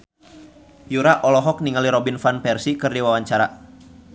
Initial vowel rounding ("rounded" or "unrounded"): rounded